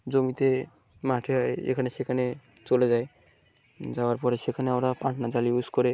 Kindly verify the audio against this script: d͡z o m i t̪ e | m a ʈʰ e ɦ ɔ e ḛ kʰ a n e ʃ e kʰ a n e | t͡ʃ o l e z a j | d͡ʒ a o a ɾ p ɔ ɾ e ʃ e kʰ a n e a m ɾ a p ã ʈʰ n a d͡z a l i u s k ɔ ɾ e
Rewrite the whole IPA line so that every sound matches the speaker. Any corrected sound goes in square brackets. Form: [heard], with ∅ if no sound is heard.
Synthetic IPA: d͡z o m i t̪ e | m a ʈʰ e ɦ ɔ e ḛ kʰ a n e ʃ e kʰ a n e | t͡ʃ o l e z a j | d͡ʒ a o a ɾ p ɔ ɾ e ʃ e kʰ a n e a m ɾ a p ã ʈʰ n a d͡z a l i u s k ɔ ɾ e

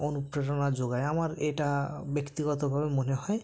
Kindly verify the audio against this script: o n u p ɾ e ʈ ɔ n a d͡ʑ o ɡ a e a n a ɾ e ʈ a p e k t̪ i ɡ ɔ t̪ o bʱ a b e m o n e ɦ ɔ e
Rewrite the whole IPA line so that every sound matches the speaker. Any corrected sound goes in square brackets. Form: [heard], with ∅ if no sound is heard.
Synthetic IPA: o n u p ɾ e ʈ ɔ n a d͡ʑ o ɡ a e a [m] a ɾ e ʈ a [b] e k t̪ i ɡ ɔ t̪ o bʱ a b e m o n e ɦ ɔ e

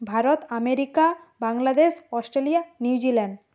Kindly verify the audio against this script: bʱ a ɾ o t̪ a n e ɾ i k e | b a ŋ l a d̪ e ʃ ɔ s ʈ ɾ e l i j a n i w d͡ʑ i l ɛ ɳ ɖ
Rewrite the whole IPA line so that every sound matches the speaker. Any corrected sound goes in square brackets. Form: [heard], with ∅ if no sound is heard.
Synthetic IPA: bʱ a ɾ o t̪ a [m] e ɾ i k [a] | b a ŋ l a d̪ e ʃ ɔ s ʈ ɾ e l i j a n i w d͡ʑ i l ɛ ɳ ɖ

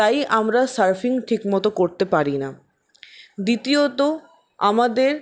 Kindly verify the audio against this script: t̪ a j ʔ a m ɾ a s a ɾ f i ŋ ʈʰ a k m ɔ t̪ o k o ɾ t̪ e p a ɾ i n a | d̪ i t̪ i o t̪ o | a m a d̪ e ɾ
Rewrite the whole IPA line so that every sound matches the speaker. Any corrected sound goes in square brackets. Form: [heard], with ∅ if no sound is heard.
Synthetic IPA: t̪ a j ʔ a m ɾ a s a ɾ f i ŋ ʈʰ [i] k m ɔ t̪ o k o ɾ t̪ e p a ɾ i n a | d̪ i t̪ i o t̪ o | a m a d̪ e ɾ

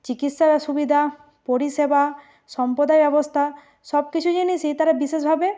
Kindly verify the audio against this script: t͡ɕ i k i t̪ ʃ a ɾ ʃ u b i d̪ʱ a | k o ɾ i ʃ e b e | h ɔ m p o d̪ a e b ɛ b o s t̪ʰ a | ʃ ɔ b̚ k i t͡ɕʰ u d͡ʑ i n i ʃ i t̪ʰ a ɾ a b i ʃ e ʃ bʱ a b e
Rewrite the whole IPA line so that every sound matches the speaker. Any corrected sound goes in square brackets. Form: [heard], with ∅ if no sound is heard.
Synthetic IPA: t͡ɕ i k i t̪ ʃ a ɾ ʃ u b i d̪ʱ a | [p] o ɾ i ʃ e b [a] | [ʃ] ɔ m p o d̪ a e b ɛ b o s t̪ʰ a | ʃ ɔ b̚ k i t͡ɕʰ u d͡ʑ i n i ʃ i [t̪] a ɾ a b i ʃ e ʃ bʱ a b e

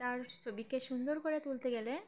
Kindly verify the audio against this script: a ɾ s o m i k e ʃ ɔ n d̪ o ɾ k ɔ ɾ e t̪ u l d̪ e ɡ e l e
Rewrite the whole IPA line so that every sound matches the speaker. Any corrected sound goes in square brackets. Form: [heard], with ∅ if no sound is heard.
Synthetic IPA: a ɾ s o [b] i k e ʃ [u] n d̪ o ɾ k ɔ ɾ e t̪ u l [t̪] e ɡ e l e

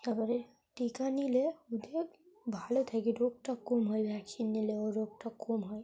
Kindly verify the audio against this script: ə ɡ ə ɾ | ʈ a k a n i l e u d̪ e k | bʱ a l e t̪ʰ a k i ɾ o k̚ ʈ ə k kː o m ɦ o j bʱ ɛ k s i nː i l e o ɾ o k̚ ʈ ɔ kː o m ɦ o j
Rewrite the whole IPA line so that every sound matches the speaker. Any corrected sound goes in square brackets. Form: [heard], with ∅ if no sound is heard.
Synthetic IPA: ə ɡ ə ɾ | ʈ [i] k a n i l e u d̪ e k | bʱ a l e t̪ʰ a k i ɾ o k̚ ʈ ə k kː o m ɦ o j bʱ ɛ k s i nː i l e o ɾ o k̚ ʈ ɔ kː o m ɦ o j

